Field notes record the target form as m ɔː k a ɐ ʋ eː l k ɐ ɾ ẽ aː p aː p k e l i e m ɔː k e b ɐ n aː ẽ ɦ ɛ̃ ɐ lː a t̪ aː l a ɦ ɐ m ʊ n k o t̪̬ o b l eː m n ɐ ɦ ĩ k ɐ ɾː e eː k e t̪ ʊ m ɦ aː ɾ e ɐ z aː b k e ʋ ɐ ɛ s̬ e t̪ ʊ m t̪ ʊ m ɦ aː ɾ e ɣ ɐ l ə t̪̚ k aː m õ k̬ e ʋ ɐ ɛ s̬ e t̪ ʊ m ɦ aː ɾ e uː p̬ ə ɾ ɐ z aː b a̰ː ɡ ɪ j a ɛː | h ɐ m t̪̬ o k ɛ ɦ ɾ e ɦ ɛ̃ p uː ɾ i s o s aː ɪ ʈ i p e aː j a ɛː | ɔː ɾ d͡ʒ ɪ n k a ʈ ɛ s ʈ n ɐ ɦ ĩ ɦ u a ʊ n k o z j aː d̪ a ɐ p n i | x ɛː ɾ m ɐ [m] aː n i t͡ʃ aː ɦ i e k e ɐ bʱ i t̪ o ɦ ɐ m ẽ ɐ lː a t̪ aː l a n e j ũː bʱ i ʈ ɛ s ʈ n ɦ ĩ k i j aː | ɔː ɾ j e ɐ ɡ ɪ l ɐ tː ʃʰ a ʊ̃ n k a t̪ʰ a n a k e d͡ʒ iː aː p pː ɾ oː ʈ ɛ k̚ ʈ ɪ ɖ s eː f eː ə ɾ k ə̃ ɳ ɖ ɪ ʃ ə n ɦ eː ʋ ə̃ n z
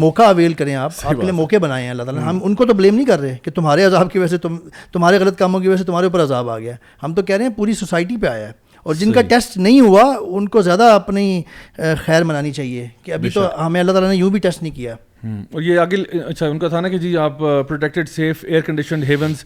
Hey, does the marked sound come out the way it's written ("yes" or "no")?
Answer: no